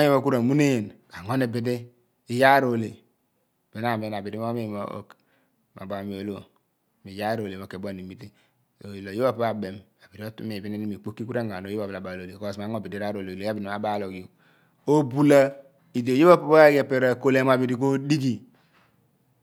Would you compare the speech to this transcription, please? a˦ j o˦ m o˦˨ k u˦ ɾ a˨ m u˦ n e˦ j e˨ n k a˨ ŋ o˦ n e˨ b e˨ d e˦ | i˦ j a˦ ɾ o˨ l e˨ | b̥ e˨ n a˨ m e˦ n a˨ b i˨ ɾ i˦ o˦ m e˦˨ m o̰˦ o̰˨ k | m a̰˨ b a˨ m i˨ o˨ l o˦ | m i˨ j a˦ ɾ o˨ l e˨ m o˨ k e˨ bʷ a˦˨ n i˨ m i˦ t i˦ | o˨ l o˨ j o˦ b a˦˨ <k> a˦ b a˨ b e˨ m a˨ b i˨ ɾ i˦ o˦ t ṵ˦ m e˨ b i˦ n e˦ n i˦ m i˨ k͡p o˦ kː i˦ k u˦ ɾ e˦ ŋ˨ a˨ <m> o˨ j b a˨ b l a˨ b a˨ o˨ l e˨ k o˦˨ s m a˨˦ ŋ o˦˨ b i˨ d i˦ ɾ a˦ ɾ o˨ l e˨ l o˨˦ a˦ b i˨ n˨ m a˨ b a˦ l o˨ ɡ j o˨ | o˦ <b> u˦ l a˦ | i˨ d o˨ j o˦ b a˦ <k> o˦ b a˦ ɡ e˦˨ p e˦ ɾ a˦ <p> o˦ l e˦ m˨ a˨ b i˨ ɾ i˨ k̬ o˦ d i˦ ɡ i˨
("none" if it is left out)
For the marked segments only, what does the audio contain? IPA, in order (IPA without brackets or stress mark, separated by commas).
p, n, b, p, k